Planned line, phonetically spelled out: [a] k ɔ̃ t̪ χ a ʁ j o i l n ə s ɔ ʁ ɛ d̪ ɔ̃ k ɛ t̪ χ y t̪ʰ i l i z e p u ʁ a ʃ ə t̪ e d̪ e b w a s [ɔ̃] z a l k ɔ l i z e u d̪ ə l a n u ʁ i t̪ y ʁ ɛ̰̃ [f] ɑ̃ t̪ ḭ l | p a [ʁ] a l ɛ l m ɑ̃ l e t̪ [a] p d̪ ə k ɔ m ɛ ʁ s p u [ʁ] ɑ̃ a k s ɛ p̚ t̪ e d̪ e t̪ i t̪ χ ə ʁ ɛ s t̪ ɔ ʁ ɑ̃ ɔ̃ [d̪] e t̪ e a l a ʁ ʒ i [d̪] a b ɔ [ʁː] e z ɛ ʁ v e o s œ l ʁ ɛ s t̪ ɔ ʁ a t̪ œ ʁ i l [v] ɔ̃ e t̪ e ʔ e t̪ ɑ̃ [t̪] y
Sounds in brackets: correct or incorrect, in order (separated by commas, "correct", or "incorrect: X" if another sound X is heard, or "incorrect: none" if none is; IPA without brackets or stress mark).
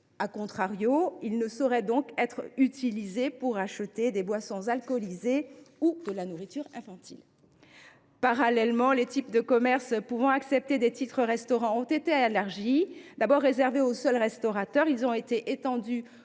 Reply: correct, correct, correct, correct, incorrect: i, incorrect: v, incorrect: t̪, correct, correct, incorrect: z, incorrect: d̪